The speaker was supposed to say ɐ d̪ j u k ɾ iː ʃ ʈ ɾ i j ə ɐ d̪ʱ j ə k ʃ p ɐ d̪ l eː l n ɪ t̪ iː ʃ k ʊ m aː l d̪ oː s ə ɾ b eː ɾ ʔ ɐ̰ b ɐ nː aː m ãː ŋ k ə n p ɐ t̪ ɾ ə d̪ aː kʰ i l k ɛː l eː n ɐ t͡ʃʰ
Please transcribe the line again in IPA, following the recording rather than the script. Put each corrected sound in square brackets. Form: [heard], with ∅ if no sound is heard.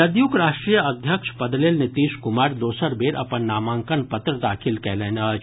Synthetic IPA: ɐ d̪ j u k ɾ [aː] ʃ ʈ ɾ i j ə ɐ d̪ʱ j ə k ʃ p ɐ d̪ l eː l n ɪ t̪ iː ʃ k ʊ m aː [ɾ] d̪ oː s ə ɾ b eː ɾ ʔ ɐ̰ [p] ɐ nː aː m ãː ŋ k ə n p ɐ t̪ ɾ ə d̪ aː kʰ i l k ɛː l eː n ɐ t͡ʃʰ